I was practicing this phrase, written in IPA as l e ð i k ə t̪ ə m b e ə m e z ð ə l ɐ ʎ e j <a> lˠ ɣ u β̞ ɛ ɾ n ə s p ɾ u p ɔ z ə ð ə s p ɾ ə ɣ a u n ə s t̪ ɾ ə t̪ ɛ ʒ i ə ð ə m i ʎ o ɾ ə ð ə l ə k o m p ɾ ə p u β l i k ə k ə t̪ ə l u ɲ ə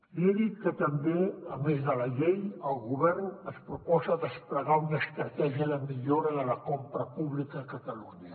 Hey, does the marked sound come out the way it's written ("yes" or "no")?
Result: no